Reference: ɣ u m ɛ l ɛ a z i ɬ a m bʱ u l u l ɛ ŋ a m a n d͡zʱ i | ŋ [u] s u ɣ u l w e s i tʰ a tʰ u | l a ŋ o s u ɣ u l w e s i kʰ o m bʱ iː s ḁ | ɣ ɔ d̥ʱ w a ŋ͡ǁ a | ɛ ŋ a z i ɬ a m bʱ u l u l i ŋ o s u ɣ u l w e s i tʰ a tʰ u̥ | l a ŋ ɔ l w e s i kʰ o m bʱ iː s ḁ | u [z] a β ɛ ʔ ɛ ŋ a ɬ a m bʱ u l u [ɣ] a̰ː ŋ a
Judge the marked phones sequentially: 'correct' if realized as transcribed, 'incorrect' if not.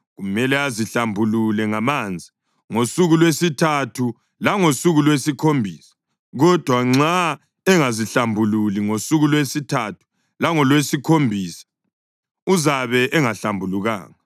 incorrect: o, correct, correct

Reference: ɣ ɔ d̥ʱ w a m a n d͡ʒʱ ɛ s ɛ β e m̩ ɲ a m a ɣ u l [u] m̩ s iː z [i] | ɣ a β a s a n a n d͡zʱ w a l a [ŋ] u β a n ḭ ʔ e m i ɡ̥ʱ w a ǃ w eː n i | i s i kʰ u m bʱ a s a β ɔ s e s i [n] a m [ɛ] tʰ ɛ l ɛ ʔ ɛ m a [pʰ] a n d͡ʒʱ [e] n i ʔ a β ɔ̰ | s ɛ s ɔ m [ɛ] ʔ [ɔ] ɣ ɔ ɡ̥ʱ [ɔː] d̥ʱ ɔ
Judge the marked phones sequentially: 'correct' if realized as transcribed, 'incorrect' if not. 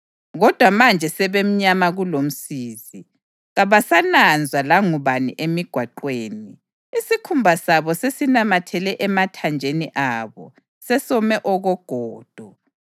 incorrect: o, correct, correct, correct, incorrect: a, incorrect: tʰ, correct, correct, correct, correct

